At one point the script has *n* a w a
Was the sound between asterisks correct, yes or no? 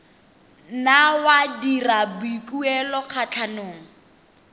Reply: yes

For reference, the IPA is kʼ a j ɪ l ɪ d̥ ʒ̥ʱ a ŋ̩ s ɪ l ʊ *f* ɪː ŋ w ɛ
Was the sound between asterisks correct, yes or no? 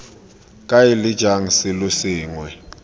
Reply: no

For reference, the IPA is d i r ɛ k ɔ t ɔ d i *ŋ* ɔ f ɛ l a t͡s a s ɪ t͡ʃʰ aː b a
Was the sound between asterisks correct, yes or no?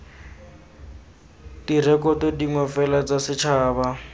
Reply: yes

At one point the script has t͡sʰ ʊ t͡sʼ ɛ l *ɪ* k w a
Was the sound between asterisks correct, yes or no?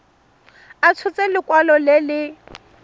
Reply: yes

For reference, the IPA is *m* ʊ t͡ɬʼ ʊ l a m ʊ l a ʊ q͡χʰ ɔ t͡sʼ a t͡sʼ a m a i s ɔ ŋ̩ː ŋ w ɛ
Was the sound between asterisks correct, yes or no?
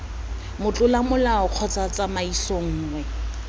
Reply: yes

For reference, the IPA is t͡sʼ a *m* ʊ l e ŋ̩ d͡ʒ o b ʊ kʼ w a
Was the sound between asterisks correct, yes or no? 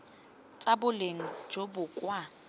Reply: no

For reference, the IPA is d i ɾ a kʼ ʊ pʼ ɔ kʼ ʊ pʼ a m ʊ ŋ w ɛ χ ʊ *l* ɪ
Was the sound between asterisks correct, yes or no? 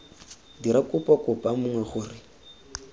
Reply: no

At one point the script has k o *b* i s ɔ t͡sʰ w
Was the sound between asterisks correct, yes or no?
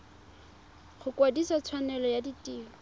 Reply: no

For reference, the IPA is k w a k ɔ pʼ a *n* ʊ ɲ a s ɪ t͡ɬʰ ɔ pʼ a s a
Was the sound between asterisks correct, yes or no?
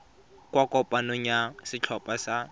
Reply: yes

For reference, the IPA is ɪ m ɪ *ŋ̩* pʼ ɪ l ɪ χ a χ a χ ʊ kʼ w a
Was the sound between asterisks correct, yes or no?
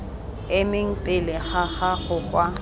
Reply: yes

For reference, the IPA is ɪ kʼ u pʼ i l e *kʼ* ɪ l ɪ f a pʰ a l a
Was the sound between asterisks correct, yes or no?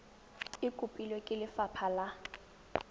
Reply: yes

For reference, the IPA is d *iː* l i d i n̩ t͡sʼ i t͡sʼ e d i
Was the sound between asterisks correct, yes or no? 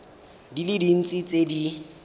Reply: no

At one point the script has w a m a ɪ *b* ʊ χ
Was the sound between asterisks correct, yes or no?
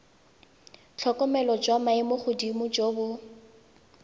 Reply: no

